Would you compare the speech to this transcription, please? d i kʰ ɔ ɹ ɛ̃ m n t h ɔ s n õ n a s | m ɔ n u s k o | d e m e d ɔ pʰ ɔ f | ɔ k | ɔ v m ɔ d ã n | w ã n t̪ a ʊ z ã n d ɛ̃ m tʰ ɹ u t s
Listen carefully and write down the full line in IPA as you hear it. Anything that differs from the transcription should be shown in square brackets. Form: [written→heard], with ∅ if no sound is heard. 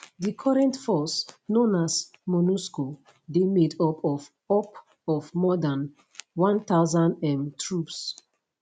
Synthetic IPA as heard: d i kʰ ɔ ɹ ɛ̃ [m→∅] n t [h→f] ɔ s n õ n a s | m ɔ n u s k o | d e m e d ɔ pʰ ɔ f | ɔ [k→p] | ɔ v m ɔ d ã n | w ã n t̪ a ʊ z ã n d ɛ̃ m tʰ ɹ u [t→p] s